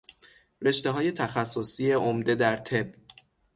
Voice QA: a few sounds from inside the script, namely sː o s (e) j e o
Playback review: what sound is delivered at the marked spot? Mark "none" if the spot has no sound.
i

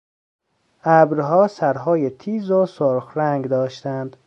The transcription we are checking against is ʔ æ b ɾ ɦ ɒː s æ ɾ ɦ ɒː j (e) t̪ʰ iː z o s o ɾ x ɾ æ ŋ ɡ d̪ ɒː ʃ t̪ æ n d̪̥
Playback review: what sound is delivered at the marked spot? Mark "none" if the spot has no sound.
e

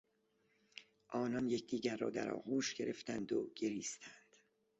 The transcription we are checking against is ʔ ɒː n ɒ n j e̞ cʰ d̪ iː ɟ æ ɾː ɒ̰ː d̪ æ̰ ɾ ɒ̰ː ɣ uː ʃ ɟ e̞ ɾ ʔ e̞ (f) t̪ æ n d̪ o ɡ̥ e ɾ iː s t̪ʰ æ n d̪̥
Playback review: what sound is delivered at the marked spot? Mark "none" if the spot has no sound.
f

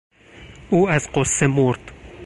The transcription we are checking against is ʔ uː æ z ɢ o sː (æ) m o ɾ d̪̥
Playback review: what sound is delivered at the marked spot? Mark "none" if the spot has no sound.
e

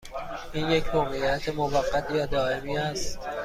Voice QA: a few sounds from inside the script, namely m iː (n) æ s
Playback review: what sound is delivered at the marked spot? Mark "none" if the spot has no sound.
none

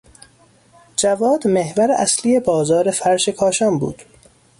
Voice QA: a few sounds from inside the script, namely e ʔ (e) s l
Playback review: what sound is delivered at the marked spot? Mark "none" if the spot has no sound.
æ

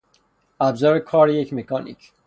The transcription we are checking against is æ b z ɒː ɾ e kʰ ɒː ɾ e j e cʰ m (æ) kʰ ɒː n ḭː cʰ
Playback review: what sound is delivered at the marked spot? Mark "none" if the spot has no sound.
e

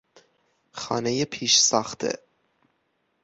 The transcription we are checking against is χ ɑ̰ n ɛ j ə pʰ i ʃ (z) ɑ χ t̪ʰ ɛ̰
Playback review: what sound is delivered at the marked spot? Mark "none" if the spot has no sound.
s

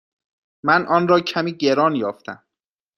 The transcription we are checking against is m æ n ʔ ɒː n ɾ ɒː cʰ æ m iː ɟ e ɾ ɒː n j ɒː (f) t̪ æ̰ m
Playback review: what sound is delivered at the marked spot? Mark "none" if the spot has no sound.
f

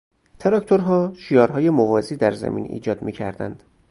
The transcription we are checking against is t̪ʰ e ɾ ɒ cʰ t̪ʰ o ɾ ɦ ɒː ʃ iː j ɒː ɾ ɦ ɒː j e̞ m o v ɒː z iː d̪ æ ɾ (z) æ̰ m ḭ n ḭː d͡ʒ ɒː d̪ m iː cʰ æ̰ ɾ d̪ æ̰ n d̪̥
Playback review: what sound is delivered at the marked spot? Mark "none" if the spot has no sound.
z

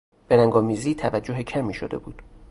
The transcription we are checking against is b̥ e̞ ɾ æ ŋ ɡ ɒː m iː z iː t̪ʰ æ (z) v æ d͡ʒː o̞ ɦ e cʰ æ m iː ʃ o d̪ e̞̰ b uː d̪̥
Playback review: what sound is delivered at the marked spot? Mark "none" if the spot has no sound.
none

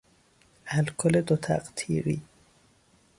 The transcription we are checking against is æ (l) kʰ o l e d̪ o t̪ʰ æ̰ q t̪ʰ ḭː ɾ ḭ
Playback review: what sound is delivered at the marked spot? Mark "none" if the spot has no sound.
l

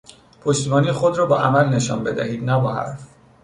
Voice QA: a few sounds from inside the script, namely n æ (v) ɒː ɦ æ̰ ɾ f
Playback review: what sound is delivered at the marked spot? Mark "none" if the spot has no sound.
b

